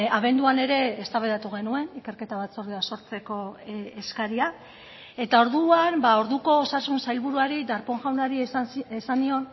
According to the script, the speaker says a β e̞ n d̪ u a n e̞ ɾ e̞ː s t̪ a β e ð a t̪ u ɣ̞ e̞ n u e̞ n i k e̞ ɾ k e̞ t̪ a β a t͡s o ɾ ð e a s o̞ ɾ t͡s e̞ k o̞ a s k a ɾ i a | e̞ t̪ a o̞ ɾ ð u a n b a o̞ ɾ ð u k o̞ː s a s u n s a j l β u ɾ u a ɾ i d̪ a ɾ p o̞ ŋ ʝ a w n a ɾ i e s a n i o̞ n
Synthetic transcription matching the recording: a β e̞ n d̪ u a n e̞ ɾ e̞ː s t̪ a β e ð a t̪ u ɣ̞ e̞ n u e̞ n i k e̞ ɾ k e̞ t̪ a β a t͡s o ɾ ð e a s o̞ ɾ t͡s e̞ k o̞ e s k a ɾ i a | e̞ t̪ a o̞ ɾ ð u a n b a o̞ ɾ ð u k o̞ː s a s u n s a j l β u ɾ u a ɾ i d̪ a ɾ p o̞ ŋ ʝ a w n a ɾ i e s a n i o̞ n

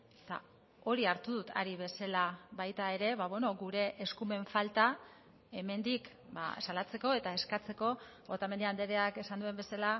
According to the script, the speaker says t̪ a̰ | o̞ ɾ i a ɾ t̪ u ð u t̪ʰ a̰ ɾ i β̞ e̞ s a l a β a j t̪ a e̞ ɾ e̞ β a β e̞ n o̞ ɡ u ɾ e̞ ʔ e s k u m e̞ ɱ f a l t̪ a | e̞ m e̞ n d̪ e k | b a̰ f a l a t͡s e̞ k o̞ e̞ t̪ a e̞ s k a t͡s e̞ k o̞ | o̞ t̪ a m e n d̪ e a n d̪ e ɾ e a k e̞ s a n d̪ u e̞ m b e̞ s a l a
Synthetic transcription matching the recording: t̪ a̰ | o̞ ɾ i a ɾ t̪ u ð u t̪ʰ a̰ ɾ i β̞ e̞ s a l a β a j t̪ a e̞ ɾ e̞ β a β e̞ n o̞ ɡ u ɾ e̞ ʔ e s k u m e̞ ɱ f a l t̪ a | e̞ m e̞ n d̪ i k | b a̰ s a l a t͡s e̞ k o̞ e̞ t̪ a e̞ s k a t͡s e̞ k o̞ | o̞ t̪ a m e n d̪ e a n d̪ e ɾ e a k e̞ s a n d̪ u e̞ m b e̞ s a l a

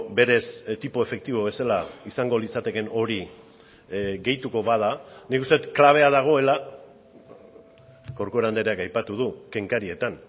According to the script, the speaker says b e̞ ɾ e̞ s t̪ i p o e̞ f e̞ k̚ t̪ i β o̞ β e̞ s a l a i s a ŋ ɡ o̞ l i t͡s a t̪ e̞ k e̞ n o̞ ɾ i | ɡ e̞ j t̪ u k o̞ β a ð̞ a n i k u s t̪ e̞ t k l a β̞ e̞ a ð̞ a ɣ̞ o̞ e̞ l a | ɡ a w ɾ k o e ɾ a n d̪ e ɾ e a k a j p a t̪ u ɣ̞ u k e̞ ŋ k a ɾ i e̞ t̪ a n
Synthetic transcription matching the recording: b e̞ ɾ e̞ s t̪ i p o e̞ f e̞ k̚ t̪ i β o̞ β e̞ s a l a i s a ŋ ɡ o̞ l i t͡s a t̪ e̞ k e̞ n o̞ ɾ i | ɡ e̞ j t̪ u k o̞ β a ð̞ a n i k u s t̪ e̞ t k l a β̞ e̞ a ð̞ a ɣ̞ o̞ e̞ l a | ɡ a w ɾ k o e ɾ a n d̪ e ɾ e a k a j p a t̪ u ð̞ u k e̞ ŋ k a ɾ i e̞ t̪ a n

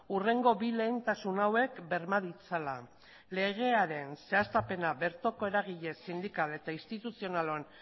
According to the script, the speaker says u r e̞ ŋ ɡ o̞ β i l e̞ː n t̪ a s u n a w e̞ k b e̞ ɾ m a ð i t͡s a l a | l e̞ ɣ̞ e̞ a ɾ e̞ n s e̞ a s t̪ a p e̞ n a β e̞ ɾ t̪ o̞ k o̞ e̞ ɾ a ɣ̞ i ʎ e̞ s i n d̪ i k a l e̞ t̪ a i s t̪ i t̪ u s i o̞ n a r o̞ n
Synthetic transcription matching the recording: u r e̞ ŋ ɡ o̞ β i l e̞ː n t̪ a s u n a w e̞ k b e̞ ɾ m a ð i t͡s a l a | l e̞ ɣ̞ e̞ a ɾ e̞ n s e̞ a s t̪ a p e̞ n a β e̞ ɾ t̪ o̞ k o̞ e̞ ɾ a ɣ̞ i ʎ e̞ s i n d̪ i k a l e̞ t̪ a i s t̪ i t̪ u s i o̞ n a l o̞ n

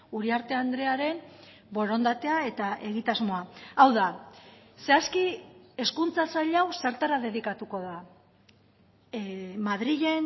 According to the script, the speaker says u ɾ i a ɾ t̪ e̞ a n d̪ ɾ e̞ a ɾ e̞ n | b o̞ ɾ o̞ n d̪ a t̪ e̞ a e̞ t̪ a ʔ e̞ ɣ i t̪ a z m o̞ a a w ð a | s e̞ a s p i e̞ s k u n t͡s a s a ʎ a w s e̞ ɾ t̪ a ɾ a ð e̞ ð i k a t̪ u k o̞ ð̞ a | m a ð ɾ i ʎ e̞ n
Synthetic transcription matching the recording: u ɾ i a ɾ t̪ e̞ a n d̪ ɾ e̞ a ɾ e̞ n | b o̞ ɾ o̞ n d̪ a t̪ e̞ a e̞ t̪ a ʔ e̞ ɣ i t̪ a z m o̞ a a w ð a | s e̞ a s k i e̞ s k u n t͡s a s a ʎ a w s e̞ ɾ t̪ a ɾ a ð e̞ ð i k a t̪ u k o̞ ð̞ a | m a ð ɾ i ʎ e̞ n

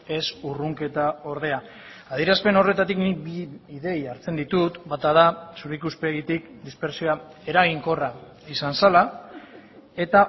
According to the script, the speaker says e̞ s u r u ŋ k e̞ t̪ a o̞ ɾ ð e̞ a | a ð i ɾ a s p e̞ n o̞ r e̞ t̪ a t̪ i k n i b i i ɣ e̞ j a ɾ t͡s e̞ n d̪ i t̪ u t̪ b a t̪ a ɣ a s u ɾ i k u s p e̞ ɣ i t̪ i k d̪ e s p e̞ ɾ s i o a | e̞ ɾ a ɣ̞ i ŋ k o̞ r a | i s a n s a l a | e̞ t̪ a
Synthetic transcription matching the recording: e̞ s u r u ŋ k e̞ t̪ a o̞ ɾ ð e̞ a | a ð i ɾ a s p e̞ n o̞ r e̞ t̪ a t̪ i k n i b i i ð e̞ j a ɾ t͡s e̞ n d̪ i t̪ u t̪ b a t̪ a ð a s u ɾ i k u s p e̞ ɣ i t̪ i k d̪ i s p e̞ ɾ s i o a | e̞ ɾ a ɣ̞ i ŋ k o̞ r a | i s a n s a l a | e̞ t̪ a

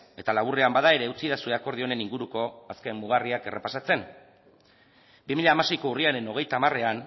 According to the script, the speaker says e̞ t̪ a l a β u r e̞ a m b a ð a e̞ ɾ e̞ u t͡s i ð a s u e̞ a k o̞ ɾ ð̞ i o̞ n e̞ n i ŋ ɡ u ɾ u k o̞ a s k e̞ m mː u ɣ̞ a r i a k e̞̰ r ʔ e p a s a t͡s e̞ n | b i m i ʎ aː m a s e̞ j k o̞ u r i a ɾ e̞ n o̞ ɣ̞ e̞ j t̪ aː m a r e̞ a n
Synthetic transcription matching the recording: e̞ t̪ a l a β u r e̞ a m b a ð a e̞ ɾ e̞ u t͡s i ð a s u e̞ a k o̞ ɾ ð̞ i o̞ n e̞ n i ŋ ɡ u ɾ u k o̞ a s k e̞ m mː u ɣ̞ a r i a k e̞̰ r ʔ e p a s a t͡s e̞ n | b i m i ʎ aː m a s e̞ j k o̞ u r i a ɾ e̞ n o̞ ɣ̞ e̞ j t̪ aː m a r e̞ a n

